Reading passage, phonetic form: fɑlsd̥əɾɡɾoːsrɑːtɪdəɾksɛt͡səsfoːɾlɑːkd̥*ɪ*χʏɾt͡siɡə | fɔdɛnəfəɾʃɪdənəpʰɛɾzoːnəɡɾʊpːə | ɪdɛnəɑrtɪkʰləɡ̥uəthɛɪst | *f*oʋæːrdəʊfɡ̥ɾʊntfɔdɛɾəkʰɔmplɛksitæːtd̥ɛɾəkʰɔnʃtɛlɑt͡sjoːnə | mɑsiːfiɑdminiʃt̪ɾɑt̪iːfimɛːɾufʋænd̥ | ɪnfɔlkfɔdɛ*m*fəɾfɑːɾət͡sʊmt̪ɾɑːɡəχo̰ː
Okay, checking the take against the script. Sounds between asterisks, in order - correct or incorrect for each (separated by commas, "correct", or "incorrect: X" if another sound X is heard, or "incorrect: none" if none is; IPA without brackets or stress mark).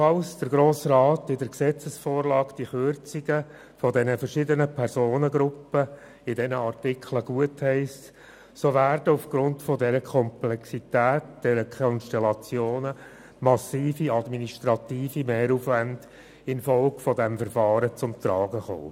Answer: incorrect: i, incorrect: s, correct